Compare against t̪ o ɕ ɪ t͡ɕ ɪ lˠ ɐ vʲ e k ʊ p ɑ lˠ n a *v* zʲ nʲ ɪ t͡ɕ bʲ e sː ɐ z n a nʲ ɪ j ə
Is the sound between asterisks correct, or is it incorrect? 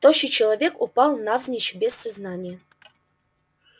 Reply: correct